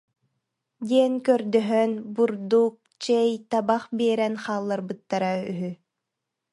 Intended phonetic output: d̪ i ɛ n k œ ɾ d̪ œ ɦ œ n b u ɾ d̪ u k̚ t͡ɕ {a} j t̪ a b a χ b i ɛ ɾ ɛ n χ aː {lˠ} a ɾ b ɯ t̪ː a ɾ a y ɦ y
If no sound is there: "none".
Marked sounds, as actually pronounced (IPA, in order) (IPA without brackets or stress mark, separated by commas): ɛ, lˠː